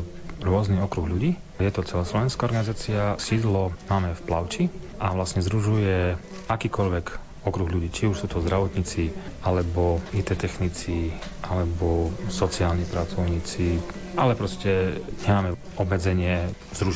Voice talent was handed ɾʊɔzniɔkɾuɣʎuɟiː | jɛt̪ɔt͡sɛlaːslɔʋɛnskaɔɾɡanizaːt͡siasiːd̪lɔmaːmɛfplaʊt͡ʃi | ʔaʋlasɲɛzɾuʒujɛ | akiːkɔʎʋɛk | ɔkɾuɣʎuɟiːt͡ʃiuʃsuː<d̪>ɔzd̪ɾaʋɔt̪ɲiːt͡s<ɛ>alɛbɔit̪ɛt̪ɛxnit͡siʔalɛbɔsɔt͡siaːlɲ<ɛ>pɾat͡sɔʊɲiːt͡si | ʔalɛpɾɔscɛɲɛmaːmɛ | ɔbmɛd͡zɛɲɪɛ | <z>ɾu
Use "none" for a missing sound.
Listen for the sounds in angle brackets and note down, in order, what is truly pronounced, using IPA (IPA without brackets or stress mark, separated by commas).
t̪, i, i, z